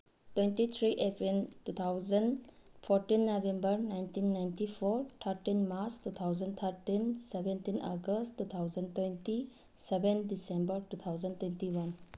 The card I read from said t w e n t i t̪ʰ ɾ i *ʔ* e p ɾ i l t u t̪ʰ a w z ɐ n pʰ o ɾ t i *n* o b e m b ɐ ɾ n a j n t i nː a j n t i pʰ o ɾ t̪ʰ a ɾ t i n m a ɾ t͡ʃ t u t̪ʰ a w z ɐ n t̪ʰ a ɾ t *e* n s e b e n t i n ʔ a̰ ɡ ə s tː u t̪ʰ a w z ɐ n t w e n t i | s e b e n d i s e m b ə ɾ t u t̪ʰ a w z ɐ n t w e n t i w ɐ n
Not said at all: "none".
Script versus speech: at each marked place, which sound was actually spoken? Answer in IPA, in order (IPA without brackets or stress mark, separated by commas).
ʔ, nː, i